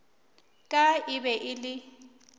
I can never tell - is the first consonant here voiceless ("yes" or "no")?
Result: yes